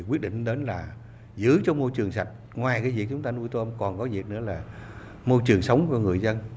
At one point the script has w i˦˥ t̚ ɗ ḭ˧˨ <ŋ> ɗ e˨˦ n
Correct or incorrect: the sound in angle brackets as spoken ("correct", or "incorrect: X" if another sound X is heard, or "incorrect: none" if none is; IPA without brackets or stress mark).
correct